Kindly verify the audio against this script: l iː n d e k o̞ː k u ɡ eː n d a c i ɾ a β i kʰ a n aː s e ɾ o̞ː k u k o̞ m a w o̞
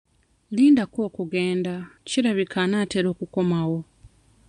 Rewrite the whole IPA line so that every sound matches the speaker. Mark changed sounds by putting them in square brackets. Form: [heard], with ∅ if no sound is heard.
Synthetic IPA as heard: l iː n d [a] k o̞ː k u ɡ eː n d a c i ɾ a β i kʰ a n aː [t] e ɾ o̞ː k u k o̞ m a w o̞